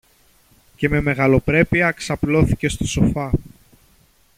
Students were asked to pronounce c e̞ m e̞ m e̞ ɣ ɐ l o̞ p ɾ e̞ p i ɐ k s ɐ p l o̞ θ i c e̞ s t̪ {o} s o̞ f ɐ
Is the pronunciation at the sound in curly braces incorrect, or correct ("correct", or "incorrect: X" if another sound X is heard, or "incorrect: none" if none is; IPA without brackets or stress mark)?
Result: correct